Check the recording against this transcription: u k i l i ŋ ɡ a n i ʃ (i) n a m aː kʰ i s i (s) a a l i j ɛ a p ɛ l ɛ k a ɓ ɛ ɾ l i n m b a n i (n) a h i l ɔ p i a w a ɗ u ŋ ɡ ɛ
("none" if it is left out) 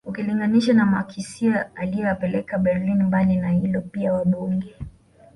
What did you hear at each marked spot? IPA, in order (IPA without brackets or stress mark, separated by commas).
a, none, n